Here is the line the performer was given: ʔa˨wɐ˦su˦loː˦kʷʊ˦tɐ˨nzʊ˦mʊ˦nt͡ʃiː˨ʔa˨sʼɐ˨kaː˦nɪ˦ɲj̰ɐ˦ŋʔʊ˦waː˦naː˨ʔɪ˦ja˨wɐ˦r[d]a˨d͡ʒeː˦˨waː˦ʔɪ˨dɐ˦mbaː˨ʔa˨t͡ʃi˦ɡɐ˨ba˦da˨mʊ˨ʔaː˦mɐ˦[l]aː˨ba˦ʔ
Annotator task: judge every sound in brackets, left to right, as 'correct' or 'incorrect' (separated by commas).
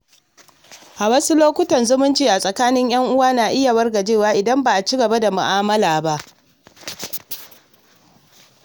incorrect, correct